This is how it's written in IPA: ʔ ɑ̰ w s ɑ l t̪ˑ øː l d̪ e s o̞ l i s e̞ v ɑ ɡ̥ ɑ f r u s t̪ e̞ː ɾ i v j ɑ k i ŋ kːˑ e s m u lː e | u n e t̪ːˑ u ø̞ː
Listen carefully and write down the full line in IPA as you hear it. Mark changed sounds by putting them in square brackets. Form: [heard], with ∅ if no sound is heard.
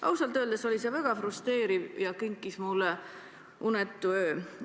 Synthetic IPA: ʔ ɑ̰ w s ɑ l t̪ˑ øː l d̪ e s o̞ l i s e̞ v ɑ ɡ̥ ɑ f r u s t̪ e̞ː ɾ i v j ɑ k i ŋ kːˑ [i] s m u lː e | u n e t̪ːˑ u ø̞ː